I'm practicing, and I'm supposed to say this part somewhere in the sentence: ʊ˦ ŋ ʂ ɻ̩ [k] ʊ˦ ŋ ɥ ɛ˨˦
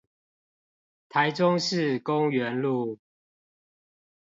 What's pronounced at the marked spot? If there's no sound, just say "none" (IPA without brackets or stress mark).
k